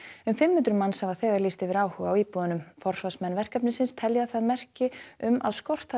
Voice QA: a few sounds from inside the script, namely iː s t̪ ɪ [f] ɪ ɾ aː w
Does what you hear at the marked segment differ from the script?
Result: yes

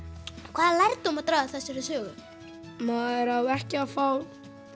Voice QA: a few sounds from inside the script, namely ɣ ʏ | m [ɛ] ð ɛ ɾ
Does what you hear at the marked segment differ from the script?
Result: yes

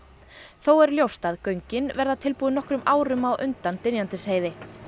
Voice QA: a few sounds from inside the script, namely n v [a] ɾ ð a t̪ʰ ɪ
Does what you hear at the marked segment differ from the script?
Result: yes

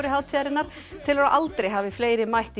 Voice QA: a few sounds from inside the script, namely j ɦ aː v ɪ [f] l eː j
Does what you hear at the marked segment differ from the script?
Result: no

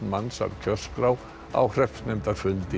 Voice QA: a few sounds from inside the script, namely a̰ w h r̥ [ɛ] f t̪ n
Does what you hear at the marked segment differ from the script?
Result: no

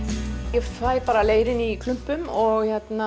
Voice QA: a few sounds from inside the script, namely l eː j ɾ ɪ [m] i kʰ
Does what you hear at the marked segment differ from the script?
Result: yes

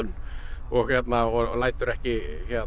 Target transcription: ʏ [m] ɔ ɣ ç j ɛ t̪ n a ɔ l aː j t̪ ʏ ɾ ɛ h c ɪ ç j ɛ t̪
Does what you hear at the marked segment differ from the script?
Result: yes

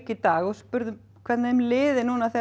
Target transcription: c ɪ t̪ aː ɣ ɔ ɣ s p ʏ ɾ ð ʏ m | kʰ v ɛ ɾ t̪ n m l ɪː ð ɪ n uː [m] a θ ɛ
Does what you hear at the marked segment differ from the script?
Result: yes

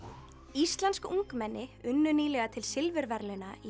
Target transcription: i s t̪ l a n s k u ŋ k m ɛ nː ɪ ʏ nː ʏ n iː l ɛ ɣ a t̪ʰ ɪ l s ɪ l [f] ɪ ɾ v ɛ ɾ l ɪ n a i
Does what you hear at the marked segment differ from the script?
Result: yes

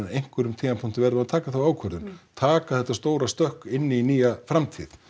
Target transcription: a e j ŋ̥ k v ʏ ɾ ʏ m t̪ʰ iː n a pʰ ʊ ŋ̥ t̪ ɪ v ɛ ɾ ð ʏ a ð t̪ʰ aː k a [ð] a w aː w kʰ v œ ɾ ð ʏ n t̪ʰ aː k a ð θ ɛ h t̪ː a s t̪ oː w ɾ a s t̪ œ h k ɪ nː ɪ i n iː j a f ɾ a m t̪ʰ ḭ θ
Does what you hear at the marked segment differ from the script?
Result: yes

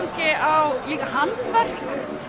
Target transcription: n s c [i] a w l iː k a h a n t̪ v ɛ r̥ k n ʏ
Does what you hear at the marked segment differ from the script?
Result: yes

